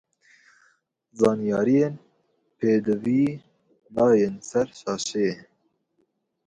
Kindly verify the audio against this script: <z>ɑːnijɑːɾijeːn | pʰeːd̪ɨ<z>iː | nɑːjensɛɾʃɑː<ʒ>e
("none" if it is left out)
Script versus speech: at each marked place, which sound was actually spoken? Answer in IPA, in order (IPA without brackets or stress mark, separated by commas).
z, v, ʃ